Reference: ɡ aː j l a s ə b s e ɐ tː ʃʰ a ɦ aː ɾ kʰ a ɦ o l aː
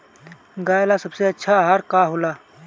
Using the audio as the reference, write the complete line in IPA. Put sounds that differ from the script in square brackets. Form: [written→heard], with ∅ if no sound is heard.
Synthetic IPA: ɡ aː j l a s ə b s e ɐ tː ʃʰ a ɦ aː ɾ [kʰ→k] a ɦ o l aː